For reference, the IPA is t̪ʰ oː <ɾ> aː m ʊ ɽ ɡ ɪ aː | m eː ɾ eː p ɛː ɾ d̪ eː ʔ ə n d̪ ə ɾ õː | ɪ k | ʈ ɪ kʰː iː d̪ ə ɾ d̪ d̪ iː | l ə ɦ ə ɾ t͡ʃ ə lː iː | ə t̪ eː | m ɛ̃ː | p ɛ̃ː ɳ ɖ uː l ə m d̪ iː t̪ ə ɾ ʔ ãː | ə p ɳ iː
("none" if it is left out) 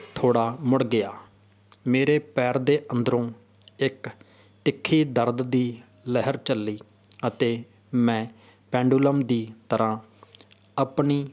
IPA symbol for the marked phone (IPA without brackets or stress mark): ɽ